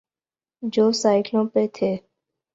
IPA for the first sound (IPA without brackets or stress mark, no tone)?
d͡ʒ